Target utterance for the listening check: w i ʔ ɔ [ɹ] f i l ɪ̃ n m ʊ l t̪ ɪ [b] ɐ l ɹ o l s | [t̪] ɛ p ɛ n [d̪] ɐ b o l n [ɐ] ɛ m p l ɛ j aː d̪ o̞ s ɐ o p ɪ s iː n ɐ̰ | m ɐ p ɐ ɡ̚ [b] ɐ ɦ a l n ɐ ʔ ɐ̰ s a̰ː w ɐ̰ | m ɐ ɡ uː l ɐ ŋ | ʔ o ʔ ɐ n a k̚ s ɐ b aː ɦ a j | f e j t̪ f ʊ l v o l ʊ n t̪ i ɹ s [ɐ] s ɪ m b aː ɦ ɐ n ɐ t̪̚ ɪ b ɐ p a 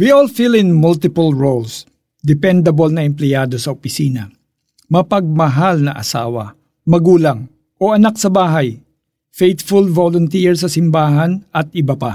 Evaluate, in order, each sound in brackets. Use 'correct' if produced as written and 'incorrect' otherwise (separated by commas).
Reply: incorrect, incorrect, incorrect, correct, correct, incorrect, correct